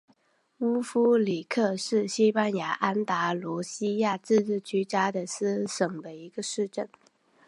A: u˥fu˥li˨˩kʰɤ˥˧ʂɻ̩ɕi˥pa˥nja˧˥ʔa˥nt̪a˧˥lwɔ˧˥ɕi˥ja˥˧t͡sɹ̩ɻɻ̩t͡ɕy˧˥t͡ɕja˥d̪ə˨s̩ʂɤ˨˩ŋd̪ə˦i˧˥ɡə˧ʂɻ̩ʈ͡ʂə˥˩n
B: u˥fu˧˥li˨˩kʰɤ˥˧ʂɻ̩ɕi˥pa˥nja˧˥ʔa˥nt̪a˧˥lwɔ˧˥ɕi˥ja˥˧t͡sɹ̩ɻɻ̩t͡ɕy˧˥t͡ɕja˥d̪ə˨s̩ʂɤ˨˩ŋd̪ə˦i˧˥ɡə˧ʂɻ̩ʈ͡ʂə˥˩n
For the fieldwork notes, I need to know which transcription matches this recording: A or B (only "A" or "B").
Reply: A